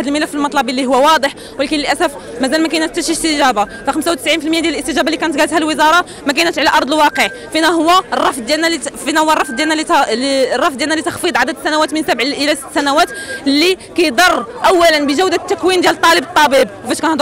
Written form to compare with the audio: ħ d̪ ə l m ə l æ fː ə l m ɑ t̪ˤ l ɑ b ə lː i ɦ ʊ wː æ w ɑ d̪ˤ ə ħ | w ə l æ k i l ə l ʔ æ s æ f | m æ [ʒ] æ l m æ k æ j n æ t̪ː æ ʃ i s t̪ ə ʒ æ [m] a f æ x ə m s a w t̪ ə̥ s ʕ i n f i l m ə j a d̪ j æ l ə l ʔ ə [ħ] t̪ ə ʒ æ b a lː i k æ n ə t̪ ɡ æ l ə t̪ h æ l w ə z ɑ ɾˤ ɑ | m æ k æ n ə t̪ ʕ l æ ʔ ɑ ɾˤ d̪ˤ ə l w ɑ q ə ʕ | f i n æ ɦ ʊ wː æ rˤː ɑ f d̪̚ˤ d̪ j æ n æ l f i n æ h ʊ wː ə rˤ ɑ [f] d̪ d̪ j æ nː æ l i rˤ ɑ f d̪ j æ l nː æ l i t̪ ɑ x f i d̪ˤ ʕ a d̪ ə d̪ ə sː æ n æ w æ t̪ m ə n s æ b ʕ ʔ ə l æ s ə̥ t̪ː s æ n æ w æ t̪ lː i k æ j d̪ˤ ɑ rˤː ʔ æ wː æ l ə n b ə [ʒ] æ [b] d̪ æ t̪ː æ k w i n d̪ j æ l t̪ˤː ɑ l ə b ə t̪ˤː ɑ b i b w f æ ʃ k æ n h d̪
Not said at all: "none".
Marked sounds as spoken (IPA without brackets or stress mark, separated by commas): z, b, s, f, ʒ, w